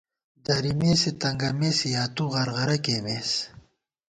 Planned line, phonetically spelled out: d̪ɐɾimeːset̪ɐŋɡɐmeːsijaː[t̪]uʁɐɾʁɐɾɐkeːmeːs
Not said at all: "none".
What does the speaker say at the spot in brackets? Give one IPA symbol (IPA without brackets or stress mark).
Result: t̪